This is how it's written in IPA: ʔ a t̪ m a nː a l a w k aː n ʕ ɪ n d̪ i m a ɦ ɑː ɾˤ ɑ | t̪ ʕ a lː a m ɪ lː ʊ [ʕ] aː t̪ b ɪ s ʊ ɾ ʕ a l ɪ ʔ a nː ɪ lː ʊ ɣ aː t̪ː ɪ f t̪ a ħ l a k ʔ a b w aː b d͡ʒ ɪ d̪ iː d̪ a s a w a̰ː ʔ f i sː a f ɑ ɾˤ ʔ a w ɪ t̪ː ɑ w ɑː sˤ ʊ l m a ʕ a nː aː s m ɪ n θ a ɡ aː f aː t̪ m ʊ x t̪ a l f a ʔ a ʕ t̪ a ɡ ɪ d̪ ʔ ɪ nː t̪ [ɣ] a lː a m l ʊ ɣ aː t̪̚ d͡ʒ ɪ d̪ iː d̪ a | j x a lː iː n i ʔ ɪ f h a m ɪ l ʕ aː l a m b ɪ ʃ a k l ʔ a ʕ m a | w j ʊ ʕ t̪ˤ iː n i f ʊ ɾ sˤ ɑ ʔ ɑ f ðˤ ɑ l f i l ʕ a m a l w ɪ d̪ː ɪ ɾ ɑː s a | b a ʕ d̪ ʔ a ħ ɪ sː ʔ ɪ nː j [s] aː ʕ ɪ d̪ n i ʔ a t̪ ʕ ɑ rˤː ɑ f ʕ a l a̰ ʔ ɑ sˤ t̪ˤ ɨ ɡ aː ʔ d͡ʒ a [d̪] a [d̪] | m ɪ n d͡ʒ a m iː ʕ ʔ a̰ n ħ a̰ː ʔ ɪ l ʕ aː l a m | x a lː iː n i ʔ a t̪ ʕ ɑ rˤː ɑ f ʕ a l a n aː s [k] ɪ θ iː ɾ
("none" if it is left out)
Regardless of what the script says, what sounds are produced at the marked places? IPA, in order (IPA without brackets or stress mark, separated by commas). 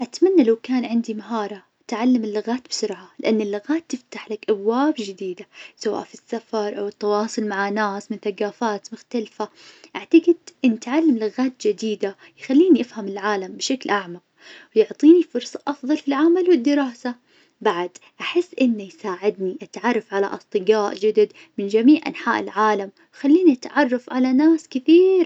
ɣ, ʕ, s, d̪, d̪, k